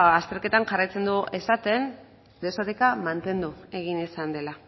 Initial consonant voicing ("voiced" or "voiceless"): voiceless